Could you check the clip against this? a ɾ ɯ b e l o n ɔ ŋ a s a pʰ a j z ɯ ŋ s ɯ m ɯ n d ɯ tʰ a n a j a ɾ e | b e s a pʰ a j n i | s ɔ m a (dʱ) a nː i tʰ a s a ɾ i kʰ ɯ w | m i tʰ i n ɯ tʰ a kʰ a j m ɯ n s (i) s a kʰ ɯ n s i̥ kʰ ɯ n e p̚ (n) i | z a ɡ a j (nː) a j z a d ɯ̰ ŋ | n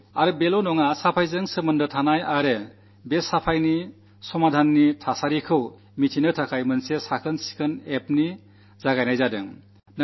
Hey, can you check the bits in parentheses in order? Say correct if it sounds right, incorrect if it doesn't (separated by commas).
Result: correct, incorrect, correct, incorrect